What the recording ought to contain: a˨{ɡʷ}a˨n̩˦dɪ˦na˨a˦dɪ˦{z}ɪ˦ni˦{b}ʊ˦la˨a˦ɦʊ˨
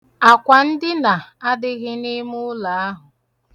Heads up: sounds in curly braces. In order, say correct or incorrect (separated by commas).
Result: incorrect, incorrect, incorrect